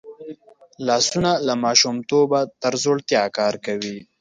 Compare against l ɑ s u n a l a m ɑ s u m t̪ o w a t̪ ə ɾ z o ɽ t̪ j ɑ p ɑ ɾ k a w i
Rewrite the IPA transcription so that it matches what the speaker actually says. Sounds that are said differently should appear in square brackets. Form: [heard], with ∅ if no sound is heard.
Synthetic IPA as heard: l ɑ s u n a l a m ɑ [ʃ] u m t̪ o [b] a t̪ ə ɾ z o ɽ t̪ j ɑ [k] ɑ ɾ k a w i